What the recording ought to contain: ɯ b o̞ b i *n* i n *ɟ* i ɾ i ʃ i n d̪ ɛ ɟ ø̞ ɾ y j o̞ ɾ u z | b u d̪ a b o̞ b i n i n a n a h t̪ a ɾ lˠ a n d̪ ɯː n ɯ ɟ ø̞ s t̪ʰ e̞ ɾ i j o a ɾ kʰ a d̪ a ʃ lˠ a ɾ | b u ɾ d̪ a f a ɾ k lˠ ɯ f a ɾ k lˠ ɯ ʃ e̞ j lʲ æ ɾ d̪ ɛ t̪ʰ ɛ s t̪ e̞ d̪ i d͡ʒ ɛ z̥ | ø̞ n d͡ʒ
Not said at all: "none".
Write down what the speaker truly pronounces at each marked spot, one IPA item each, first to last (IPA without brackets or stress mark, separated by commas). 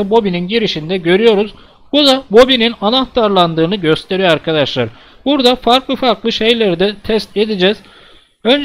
n, ɟ